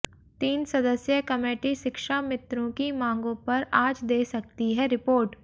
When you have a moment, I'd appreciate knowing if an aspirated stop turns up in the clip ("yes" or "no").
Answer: no